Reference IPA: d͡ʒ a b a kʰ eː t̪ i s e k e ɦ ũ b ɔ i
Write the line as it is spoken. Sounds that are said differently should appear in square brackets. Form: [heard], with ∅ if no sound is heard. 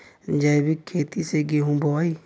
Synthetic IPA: d͡ʒ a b [i] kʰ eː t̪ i s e [ɡ] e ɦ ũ b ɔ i